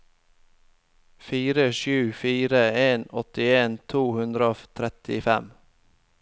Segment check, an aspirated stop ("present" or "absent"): present